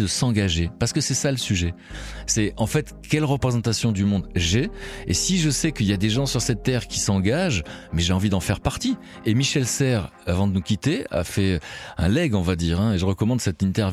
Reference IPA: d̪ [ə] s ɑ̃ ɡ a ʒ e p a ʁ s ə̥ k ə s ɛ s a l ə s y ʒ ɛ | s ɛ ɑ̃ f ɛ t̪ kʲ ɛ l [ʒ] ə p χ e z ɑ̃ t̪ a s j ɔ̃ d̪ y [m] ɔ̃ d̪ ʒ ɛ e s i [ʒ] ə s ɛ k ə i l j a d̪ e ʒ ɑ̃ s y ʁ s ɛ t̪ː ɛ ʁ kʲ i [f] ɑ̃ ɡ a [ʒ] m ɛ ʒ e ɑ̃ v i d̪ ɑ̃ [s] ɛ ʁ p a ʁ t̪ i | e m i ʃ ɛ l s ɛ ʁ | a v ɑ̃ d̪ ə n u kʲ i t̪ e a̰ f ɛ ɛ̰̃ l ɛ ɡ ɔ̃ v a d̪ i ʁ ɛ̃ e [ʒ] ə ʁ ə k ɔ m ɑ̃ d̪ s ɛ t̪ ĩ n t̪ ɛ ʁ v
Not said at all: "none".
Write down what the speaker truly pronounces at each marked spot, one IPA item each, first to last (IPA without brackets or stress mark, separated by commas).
ə, ʁ, m, ʒ, s, ʒ, f, ʒ